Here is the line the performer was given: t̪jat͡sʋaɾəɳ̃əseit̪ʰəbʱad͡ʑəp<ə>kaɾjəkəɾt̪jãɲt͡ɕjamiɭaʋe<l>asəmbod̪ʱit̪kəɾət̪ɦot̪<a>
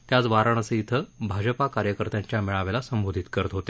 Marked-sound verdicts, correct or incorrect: incorrect: a, correct, incorrect: e

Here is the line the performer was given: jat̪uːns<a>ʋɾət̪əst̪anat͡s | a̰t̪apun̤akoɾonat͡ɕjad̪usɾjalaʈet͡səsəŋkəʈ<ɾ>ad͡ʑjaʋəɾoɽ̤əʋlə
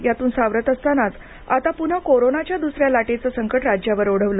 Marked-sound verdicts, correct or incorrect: correct, correct

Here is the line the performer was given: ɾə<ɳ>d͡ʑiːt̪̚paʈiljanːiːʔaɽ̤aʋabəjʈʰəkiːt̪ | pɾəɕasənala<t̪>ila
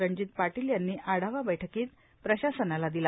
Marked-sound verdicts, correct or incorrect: incorrect: ɲ, incorrect: d̪

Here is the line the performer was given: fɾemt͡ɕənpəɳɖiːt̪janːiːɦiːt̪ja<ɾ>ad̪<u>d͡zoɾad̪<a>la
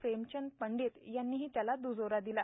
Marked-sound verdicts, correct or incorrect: incorrect: l, correct, incorrect: i

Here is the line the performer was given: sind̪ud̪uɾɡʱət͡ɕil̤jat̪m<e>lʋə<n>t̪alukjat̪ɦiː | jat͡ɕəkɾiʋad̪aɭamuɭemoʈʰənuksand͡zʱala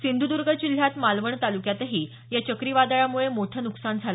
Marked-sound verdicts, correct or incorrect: incorrect: a, incorrect: ɳ

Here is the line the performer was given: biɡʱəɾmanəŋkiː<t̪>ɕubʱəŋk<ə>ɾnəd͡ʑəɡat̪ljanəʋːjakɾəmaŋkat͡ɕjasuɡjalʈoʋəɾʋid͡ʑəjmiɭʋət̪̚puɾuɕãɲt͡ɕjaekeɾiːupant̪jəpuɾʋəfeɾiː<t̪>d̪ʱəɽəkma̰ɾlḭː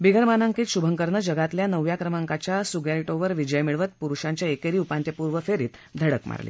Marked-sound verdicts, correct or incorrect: correct, correct, correct

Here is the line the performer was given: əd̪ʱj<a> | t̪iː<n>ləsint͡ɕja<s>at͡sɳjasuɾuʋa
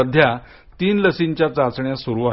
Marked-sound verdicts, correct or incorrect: correct, correct, incorrect: t͡s

